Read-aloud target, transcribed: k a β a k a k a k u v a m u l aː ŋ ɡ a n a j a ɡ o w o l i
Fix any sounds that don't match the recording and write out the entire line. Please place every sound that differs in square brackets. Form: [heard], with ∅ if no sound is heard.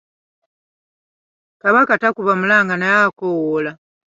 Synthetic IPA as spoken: k a β a k a [t] a k u [β] a m u l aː ŋ ɡ a n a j a [k] o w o l [a]